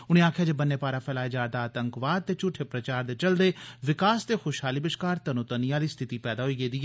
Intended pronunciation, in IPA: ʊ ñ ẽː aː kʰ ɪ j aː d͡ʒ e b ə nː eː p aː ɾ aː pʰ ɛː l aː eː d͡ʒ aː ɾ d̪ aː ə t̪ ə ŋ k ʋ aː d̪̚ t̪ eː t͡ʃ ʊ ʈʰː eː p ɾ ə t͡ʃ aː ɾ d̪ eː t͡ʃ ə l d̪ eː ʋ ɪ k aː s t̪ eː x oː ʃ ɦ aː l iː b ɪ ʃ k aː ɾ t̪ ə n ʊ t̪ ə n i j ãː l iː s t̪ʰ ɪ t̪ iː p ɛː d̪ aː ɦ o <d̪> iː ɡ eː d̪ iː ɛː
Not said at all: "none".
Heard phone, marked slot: none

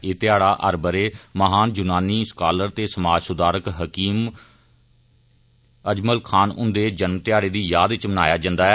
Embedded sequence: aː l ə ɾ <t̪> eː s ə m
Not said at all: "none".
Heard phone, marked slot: t̪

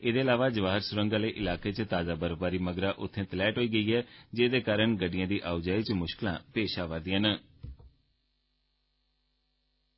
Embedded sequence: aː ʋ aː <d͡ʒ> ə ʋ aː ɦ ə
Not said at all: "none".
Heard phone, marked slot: d͡ʒ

